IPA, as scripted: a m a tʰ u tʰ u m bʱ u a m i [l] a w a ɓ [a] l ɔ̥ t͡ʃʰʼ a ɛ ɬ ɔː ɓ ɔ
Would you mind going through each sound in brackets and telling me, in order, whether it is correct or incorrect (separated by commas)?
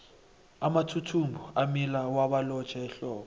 correct, correct